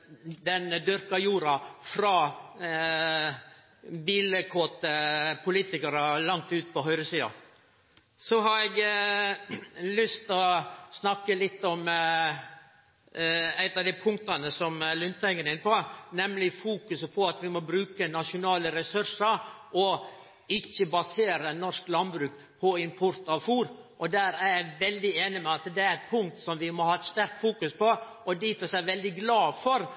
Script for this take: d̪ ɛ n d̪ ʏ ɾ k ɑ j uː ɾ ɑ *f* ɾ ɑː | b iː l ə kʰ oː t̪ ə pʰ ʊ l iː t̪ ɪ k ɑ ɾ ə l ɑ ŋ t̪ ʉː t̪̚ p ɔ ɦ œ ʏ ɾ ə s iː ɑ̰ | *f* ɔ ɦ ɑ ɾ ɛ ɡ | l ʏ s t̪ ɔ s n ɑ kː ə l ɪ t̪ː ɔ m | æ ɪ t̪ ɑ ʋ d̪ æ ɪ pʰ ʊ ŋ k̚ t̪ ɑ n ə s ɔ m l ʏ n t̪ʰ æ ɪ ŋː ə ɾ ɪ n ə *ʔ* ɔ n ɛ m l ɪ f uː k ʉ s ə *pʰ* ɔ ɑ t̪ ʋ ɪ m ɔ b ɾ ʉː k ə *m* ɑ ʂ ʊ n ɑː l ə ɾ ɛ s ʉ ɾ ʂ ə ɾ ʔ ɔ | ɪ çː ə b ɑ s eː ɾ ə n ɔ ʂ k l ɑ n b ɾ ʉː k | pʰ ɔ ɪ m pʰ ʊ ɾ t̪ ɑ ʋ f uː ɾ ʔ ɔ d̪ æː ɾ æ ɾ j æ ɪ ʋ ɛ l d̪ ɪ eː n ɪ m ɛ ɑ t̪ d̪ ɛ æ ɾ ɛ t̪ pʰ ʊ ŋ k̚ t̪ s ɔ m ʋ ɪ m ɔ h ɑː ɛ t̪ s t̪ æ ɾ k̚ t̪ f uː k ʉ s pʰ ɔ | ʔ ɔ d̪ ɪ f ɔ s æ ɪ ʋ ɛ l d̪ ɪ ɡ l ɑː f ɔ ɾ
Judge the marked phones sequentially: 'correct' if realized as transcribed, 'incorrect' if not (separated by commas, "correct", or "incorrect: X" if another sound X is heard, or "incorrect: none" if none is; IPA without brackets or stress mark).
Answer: correct, incorrect: s, incorrect: p, correct, incorrect: n